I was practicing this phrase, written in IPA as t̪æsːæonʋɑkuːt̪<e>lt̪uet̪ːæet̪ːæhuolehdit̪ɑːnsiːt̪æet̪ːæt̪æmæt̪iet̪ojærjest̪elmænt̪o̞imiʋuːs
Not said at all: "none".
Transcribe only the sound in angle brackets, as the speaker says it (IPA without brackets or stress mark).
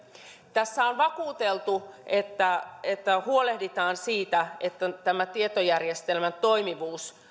e